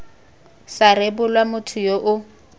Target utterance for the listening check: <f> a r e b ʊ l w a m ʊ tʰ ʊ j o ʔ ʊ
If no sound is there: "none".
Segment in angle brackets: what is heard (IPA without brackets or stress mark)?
s